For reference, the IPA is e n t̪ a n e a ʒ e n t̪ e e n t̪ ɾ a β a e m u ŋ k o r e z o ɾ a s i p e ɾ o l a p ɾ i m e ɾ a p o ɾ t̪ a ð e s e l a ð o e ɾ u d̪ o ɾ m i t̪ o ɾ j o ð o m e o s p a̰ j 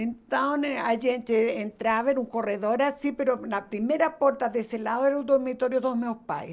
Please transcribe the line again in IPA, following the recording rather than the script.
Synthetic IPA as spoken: e n t̪ a n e a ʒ e n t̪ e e n t̪ ɾ a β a e n u ŋ k o r e ð o ɾ a s i p e ɾ o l a p ɾ i m e ɾ a p o ɾ t̪ a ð e s e l a ð o e ɾ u d̪ o ɾ m i t̪ o ɾ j o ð o m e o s p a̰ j